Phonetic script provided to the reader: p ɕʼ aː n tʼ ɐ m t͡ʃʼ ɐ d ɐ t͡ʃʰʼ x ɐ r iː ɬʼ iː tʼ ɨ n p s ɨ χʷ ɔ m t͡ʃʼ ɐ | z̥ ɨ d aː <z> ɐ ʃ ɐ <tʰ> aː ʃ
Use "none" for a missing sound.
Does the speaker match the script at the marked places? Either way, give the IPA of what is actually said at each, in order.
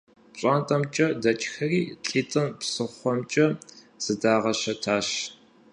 ʁ, tʰ

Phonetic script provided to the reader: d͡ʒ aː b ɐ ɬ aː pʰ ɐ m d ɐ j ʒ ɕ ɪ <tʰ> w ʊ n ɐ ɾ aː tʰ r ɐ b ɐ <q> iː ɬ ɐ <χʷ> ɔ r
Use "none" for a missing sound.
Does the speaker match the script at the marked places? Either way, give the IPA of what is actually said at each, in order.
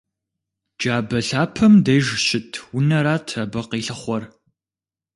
tʰ, q, χʷ

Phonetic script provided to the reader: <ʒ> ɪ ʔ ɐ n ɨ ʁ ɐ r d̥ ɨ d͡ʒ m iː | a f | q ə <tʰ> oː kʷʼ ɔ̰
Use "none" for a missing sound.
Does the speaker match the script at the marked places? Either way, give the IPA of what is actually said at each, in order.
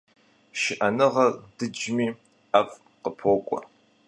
ʃ, pʰ

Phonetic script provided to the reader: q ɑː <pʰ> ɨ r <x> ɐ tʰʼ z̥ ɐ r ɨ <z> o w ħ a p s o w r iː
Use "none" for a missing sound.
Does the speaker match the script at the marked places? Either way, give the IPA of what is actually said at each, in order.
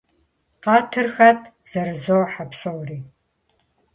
tʰ, x, z

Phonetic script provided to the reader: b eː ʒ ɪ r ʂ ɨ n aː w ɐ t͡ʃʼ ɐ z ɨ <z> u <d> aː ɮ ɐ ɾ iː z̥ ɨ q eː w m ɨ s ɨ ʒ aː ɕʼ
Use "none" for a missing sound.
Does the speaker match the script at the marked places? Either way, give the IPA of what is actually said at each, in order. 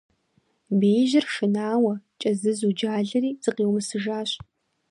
z, d͡ʒ

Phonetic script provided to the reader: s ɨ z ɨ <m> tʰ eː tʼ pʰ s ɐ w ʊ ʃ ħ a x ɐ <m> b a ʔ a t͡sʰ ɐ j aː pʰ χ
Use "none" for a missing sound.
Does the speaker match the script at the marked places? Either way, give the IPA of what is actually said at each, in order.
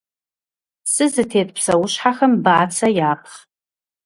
none, m

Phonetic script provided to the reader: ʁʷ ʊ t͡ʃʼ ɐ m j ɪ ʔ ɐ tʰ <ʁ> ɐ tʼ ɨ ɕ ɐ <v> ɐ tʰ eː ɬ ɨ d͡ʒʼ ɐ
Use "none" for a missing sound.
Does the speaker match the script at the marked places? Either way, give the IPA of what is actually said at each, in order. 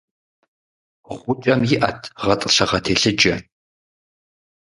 ʁ, ʁ

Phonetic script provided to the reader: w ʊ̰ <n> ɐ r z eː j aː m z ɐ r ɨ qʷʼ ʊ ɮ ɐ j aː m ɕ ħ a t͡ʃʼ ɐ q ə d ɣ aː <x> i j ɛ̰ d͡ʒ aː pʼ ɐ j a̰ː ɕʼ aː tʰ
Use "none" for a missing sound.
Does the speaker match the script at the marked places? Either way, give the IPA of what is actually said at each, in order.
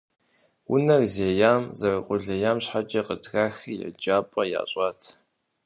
n, x

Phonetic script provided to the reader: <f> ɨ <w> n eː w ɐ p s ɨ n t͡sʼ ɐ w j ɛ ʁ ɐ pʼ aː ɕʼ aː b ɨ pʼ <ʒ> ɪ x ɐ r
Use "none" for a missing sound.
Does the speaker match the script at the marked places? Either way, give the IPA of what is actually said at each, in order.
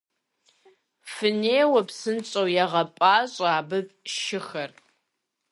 f, none, ʃ

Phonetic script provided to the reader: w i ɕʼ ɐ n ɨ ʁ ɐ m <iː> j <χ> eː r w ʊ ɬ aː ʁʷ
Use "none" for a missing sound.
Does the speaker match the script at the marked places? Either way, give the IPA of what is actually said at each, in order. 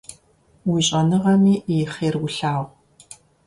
iː, χ

